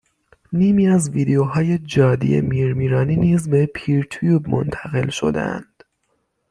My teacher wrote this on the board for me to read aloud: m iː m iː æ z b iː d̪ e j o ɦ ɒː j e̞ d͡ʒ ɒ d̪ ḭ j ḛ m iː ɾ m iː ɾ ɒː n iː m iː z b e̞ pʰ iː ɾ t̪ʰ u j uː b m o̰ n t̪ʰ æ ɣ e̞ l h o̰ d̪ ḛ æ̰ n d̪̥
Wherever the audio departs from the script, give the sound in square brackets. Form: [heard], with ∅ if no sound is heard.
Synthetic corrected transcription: [n] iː m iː æ z [v] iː d̪ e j o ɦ ɒː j e̞ d͡ʒ [ɒː] d̪ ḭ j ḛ m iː ɾ m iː ɾ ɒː n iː [n] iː z b e̞ pʰ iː ɾ t̪ʰ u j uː b m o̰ n t̪ʰ æ ɣ e̞ l [ʃ] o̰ d̪ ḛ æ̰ n d̪̥

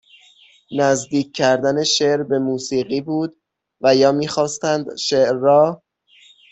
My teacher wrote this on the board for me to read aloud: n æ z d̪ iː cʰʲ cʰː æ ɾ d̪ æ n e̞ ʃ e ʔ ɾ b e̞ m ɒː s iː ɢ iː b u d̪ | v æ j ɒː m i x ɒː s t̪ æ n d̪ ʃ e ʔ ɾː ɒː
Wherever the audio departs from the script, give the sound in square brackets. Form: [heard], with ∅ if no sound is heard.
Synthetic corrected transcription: n æ z d̪ iː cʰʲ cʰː æ ɾ d̪ æ n e̞ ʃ e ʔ ɾ b e̞ m [uː] s iː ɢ iː b [uː] d̪ | v æ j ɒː m [iː] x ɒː s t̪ æ n d̪ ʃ e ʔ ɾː ɒː

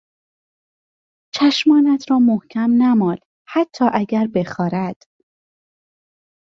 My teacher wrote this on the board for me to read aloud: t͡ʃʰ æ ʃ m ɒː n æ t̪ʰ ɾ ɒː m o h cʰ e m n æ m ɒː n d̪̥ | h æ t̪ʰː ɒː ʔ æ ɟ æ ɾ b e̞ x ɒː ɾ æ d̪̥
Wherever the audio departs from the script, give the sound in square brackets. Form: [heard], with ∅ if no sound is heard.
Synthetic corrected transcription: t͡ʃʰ æ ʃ m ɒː n æ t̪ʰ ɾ ɒː m o h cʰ [æ] m n æ m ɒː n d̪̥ | h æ t̪ʰː ɒː ʔ æ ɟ æ ɾ b e̞ x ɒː ɾ æ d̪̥

